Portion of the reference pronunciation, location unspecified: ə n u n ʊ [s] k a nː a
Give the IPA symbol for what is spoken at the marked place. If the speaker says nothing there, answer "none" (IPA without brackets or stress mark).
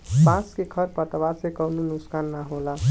s